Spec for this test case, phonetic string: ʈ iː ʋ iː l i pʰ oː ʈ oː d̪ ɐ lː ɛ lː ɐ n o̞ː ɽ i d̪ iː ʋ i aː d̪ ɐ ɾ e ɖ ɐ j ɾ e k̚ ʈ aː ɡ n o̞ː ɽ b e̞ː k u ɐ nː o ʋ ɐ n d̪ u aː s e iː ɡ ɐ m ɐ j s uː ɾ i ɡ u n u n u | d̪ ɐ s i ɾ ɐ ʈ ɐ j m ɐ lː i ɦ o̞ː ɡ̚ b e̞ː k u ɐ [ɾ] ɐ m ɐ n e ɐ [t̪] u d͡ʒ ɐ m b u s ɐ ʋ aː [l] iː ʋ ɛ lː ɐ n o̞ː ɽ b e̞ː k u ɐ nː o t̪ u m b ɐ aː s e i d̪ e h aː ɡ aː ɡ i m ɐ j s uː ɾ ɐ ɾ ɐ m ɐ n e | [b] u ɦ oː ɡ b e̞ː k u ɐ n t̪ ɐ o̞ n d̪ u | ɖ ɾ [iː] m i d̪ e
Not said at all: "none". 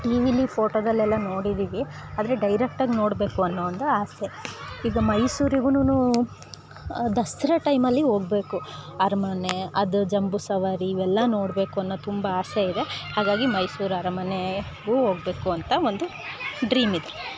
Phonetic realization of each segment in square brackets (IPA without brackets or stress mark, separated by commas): ɾ, d̪, ɾ, ɡ, iː